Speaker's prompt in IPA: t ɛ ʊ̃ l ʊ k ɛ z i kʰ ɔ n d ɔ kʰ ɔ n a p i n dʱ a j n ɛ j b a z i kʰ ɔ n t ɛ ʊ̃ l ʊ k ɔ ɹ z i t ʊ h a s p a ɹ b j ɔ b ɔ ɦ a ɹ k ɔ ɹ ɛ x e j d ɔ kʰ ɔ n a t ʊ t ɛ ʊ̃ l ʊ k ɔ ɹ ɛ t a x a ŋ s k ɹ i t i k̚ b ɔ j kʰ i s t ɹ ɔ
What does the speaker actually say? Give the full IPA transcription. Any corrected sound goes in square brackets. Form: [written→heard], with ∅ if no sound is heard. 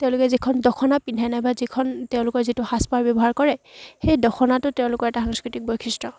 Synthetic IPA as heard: t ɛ ʊ̃ l ʊ k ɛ z i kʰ ɔ n d ɔ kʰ ɔ n a p i n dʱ a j n [ɛ→a] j b a z i kʰ ɔ n t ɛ ʊ̃ l ʊ k ɔ ɹ z i t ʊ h a s p a ɹ b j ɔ b ɔ ɦ a ɹ k ɔ ɹ ɛ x e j d ɔ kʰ ɔ n a t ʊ t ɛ ʊ̃ l ʊ k ɔ ɹ ɛ t a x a ŋ s k ɹ i t i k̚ b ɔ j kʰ i s t ɹ ɔ

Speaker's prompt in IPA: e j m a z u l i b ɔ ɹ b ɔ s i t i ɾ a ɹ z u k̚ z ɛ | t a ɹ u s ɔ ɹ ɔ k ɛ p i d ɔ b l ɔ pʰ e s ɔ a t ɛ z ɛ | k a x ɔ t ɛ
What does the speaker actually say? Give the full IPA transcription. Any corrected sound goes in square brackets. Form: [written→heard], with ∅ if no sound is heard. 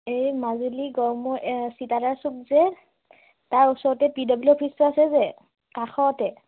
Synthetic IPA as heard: e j m a z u l i [b→ɡ] ɔ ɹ [b→m] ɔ s i t [i→a] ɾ a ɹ [z→s] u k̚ z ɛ | t a ɹ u s ɔ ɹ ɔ [k→t] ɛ p i d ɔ b l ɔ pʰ [e→i] s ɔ a [t→s] ɛ z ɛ | k a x ɔ t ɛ

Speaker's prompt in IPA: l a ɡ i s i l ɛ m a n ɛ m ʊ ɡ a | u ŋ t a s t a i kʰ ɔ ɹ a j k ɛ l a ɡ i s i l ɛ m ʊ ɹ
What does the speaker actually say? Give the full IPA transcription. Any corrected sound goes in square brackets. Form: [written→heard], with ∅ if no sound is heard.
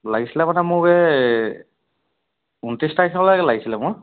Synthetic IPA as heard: l a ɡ i s i l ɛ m a n ɛ m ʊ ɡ [a→ɛ] | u [ŋ→n] t [a→i] s t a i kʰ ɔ [ɹ→l] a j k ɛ l a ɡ i s i l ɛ m ʊ ɹ

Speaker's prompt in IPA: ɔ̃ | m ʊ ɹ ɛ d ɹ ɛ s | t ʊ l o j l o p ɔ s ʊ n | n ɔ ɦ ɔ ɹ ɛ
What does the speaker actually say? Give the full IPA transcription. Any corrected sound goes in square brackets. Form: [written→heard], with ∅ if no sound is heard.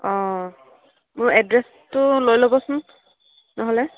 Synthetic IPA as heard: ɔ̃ | m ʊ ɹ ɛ d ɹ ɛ s | t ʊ l o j l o [p→b] ɔ s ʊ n | n ɔ ɦ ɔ [ɹ→l] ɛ

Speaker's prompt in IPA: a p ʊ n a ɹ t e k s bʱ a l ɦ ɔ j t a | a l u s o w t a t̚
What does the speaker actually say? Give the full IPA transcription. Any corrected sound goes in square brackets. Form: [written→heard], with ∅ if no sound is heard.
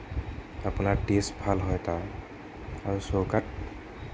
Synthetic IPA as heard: a p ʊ n a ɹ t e [k→∅] s bʱ a l ɦ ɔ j t a | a [l→ɹ] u s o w [t→k] a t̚

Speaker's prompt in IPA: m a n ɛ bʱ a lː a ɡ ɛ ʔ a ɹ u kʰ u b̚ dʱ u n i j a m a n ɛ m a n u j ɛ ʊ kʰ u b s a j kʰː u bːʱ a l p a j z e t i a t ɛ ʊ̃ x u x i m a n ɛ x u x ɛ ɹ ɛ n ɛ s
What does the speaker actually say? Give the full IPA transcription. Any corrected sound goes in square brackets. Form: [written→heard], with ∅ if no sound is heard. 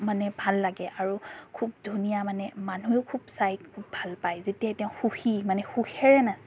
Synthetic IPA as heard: m a n ɛ bʱ a lː a ɡ ɛ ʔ a ɹ u kʰ u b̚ dʱ u n i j a m a n ɛ m a n u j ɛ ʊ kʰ u b s a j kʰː u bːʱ a l p a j z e t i a t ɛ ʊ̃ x u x i m a n ɛ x u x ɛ ɹ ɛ n [ɛ→a] s

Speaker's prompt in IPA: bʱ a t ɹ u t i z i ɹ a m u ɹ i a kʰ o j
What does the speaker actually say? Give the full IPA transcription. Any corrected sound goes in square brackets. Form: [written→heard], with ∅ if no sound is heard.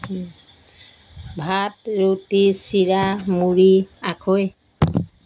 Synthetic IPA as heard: bʱ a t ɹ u t i [z→s] i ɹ a m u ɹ i a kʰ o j

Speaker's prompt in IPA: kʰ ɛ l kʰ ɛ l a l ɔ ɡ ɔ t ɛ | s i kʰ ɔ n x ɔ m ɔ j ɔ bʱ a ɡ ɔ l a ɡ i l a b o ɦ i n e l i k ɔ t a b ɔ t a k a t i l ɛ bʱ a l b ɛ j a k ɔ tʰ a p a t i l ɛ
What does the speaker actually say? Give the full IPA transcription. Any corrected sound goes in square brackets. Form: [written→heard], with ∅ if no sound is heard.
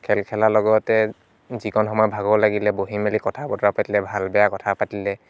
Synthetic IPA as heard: kʰ ɛ l kʰ ɛ l a l ɔ ɡ ɔ t ɛ | [s→z] i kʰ ɔ n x ɔ m ɔ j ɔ bʱ a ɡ ɔ l a ɡ i l [a→ɛ] b o ɦ i [n→m] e l i k ɔ [t→tʰ] a b ɔ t a [k→p] a t i l ɛ bʱ a l b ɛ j a k ɔ tʰ a p a t i l ɛ

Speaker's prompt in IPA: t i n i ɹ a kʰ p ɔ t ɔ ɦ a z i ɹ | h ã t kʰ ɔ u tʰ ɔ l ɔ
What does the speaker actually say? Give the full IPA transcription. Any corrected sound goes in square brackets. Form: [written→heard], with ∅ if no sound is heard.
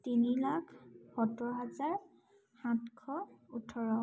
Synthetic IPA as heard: t i n i [ɹ→l] a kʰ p ɔ t ɔ ɦ a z [i→a] ɹ | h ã t kʰ ɔ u tʰ ɔ [l→ɹ] ɔ

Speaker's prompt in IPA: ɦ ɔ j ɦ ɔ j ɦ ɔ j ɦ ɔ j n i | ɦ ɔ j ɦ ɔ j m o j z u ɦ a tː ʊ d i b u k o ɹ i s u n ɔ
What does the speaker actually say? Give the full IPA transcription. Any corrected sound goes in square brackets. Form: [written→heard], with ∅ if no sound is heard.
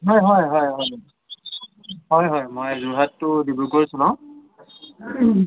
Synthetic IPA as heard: ɦ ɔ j ɦ ɔ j ɦ ɔ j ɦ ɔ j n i | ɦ ɔ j ɦ ɔ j m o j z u ɦ a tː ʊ d i b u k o ɹ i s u n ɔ

